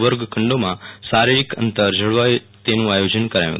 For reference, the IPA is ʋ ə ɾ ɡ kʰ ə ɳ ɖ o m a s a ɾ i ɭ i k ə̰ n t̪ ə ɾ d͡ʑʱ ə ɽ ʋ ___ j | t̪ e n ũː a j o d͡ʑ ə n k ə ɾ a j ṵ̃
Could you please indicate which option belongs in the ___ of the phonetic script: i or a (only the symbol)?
a